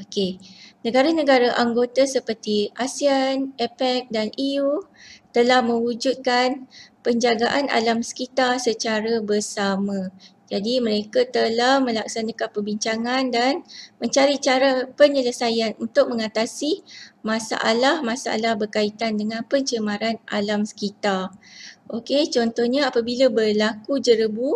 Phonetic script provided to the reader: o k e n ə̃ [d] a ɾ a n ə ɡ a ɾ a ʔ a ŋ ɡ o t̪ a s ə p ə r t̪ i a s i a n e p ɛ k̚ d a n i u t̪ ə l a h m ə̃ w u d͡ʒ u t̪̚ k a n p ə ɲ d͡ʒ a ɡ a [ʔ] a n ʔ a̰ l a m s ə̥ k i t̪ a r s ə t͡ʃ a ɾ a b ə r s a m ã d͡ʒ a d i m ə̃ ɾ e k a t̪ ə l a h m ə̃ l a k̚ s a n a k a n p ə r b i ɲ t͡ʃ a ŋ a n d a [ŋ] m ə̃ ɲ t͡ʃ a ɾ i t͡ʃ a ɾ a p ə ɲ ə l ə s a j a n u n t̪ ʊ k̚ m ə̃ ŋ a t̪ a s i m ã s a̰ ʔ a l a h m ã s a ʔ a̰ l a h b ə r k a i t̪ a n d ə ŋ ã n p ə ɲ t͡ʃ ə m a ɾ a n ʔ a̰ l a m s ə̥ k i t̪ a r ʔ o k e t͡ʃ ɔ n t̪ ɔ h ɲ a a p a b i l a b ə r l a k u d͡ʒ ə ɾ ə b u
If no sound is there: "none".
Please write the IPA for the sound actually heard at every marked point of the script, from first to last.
ɡ, ʔ, n

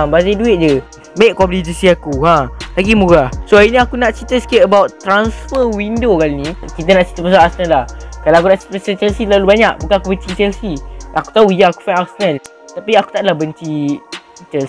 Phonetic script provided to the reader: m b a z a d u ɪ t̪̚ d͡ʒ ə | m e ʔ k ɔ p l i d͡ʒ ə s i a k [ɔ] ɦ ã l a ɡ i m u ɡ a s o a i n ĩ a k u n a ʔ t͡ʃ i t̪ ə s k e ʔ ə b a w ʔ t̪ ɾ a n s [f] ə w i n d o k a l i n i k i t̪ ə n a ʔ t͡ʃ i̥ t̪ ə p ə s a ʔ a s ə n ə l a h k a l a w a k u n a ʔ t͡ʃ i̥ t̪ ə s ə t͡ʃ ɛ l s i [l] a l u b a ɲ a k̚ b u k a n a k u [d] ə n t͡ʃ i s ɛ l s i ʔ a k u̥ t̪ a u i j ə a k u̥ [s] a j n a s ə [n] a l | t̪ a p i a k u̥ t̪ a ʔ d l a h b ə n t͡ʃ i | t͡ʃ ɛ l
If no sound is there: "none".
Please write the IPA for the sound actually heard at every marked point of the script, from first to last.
u, f, l, b, f, n

